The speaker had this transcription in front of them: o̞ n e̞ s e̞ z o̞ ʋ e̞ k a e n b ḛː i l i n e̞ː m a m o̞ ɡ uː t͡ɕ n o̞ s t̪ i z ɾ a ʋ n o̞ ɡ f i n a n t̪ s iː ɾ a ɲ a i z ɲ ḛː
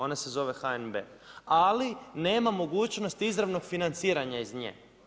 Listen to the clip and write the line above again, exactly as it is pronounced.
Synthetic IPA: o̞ n e̞ s e̞ z o̞ ʋ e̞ x a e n b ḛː a l i n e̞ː m a m o̞ ɡ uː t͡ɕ n o̞ s t̪ i z ɾ a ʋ n o̞ ɡ f i n a n t̪ s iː ɾ a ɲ a i z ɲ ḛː